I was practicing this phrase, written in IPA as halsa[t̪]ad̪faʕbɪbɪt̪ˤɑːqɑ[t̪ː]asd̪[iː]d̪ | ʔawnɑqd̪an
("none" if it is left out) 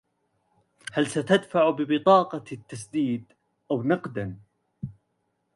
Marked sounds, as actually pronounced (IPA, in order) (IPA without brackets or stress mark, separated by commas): t̪, t̪ː, iː